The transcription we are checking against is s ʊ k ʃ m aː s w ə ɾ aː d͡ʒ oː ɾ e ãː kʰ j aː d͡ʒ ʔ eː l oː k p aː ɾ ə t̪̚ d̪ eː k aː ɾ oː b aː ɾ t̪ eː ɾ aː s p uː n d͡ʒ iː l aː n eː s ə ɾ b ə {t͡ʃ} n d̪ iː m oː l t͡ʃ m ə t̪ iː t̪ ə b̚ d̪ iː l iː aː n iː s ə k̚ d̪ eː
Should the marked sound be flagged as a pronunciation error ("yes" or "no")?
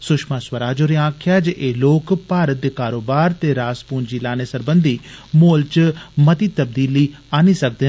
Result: yes